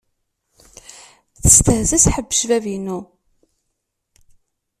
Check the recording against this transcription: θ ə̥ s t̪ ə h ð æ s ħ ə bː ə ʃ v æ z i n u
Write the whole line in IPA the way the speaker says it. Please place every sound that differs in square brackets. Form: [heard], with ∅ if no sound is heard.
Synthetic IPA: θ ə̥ s t̪ ə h [z] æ s ħ ə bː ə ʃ v æ [v] i n u